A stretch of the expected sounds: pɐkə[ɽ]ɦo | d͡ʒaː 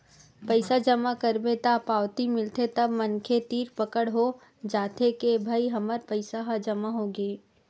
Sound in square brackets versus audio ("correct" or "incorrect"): correct